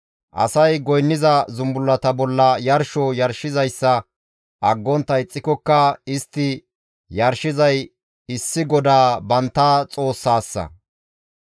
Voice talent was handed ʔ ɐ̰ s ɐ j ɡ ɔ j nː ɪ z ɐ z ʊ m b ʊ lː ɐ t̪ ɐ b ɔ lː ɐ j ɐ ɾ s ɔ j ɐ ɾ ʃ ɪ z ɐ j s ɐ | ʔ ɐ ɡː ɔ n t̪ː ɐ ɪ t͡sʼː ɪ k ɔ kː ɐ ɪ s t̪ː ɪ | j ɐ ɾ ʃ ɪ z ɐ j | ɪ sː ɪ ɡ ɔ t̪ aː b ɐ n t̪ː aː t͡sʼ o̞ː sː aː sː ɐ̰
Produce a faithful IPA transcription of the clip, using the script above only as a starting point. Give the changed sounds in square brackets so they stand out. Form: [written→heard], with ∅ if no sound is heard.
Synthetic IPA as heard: ʔ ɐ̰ s ɐ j ɡ ɔ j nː ɪ z ɐ z ʊ m b ʊ lː ɐ t̪ ɐ b ɔ lː ɐ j ɐ ɾ [s→ʃ] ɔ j ɐ ɾ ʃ ɪ z ɐ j [s→sː] ɐ | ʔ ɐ ɡː ɔ n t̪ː ɐ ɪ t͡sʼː ɪ k ɔ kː ɐ ɪ s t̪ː ɪ | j ɐ ɾ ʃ ɪ z ɐ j | ɪ sː ɪ ɡ ɔ [t̪→d̪] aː b ɐ n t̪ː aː t͡sʼ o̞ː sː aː sː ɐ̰